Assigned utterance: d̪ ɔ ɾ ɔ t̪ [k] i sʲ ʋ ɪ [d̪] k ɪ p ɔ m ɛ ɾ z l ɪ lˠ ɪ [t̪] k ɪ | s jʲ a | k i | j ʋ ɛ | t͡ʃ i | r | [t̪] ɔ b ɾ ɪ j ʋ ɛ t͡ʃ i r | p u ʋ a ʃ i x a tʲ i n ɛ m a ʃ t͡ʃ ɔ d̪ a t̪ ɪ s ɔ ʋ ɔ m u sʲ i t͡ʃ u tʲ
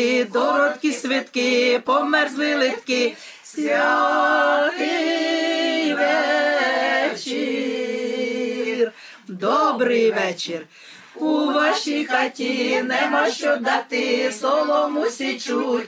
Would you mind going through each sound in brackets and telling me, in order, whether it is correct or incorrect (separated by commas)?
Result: correct, incorrect, correct, incorrect